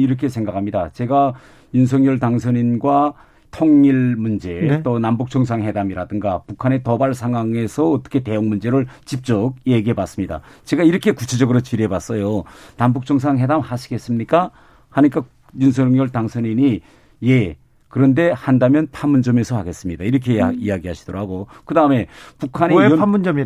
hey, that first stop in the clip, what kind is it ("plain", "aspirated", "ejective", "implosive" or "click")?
aspirated